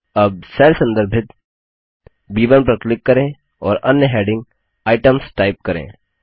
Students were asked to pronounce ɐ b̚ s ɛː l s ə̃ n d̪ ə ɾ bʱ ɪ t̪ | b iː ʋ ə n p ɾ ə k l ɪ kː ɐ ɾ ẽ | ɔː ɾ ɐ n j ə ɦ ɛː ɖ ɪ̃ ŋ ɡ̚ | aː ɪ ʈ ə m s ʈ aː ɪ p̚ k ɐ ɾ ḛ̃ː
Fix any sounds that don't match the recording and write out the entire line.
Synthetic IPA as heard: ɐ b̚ s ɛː l s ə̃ n d̪ ə ɾ bʱ ɪ t̪ | b iː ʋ ə n p ɾ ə k l ɪ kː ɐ ɾ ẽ | ɔː ɾ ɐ n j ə ɦ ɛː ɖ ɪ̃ ŋ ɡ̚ | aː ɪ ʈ ə m s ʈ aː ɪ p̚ k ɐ ɾ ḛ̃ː